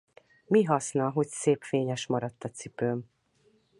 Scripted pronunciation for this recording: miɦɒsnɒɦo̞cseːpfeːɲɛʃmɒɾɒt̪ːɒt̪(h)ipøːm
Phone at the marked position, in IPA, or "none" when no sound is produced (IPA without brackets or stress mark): s